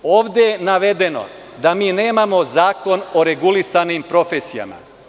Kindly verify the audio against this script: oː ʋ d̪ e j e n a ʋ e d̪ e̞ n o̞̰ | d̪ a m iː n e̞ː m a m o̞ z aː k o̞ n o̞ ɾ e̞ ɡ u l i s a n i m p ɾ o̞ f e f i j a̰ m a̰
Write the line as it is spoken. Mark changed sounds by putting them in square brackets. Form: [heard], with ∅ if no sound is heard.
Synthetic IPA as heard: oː ʋ d̪ e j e n a ʋ e d̪ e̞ n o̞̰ | d̪ a m iː n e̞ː m a m o̞ z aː k o̞ n o̞ ɾ e̞ ɡ u l i s a n i m p ɾ o̞ f e [s] i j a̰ m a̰